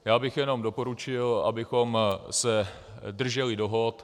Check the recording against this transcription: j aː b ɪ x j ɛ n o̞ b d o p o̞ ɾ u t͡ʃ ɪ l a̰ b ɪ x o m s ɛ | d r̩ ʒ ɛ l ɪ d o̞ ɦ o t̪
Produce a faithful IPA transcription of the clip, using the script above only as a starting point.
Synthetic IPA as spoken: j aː b ɪ x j ɛ n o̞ m d o p o̞ ɾ u t͡ʃ ɪ l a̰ b ɪ x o m s ɛ | d r̩ ʒ ɛ l ɪ d o̞ ɦ o t̪